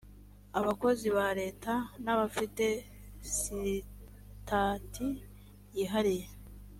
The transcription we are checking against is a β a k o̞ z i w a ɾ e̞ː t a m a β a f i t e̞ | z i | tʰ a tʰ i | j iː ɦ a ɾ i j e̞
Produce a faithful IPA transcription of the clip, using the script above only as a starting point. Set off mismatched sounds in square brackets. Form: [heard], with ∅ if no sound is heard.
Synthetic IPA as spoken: a β a k o̞ z i [β] a ɾ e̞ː t a [n] a β a f i t e̞ | [s] i | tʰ a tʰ i | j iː ɦ a ɾ i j e̞